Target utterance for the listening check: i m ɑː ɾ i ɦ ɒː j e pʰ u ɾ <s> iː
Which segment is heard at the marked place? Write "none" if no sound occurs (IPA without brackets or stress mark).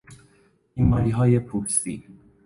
s